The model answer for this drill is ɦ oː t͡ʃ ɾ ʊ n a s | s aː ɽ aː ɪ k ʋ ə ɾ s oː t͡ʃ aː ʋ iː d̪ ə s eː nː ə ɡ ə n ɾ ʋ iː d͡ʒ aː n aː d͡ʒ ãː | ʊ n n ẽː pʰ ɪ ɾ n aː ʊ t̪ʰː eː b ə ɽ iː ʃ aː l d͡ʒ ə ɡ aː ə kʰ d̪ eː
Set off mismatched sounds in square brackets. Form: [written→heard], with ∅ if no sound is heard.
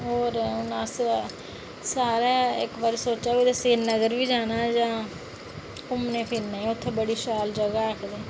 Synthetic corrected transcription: ɦ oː [t͡ʃ→∅] ɾ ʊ n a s | s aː [ɽ→ɾ] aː ɪ k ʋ ə ɾ s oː t͡ʃ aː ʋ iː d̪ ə s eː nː ə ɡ ə [n→∅] ɾ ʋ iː d͡ʒ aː n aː d͡ʒ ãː | ʊ [n→m] n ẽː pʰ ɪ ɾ n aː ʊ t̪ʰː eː b ə ɽ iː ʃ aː l d͡ʒ ə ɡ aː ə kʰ d̪ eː